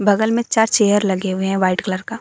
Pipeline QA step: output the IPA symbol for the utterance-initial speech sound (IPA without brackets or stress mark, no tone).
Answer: b